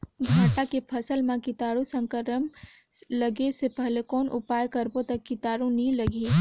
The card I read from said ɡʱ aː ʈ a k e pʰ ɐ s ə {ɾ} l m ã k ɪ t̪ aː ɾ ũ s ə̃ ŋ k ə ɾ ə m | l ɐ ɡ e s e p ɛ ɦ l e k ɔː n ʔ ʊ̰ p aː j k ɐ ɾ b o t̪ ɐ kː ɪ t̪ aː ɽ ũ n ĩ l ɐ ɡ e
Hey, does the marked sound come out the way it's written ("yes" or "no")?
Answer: no